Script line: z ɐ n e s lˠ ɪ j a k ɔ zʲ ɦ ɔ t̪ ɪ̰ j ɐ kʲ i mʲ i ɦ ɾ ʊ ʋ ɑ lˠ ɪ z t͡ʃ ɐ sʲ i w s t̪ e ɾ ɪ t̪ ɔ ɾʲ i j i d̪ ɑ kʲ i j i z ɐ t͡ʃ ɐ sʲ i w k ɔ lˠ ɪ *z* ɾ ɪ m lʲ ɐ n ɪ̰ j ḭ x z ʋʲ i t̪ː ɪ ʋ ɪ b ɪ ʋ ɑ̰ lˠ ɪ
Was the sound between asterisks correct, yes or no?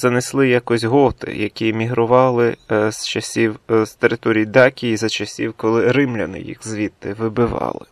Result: no